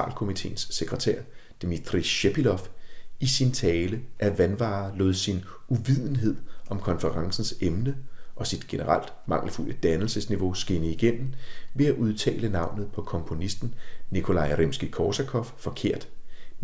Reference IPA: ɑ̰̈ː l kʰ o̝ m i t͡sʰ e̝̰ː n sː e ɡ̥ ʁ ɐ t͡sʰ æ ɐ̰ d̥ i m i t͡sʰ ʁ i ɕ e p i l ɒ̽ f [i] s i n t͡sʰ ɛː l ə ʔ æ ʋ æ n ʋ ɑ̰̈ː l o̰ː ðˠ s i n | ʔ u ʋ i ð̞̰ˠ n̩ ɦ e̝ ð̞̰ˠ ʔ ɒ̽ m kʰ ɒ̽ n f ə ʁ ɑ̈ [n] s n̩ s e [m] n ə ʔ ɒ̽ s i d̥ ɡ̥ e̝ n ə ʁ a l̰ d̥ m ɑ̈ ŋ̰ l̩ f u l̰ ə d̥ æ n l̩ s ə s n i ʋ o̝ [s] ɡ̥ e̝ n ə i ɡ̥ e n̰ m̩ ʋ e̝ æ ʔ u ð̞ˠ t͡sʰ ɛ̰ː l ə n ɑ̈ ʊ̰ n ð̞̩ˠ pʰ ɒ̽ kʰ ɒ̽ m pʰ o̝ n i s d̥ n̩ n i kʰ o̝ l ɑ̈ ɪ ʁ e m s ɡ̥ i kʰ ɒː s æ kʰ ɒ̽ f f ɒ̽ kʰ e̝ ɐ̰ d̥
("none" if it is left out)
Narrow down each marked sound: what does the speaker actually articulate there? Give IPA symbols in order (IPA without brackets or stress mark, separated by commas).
i, ŋ, m, s